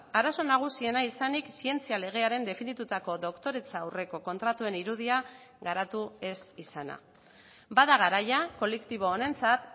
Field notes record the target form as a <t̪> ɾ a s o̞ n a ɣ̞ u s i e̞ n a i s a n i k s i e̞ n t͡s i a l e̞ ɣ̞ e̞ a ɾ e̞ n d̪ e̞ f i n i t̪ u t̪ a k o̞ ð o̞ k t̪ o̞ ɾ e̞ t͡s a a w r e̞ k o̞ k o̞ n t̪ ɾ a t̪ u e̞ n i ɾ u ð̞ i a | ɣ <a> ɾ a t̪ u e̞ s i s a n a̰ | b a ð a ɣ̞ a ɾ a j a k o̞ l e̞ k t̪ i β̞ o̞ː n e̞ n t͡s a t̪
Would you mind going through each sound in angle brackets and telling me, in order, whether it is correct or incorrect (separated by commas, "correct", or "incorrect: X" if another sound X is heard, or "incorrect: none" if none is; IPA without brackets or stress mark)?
incorrect: none, correct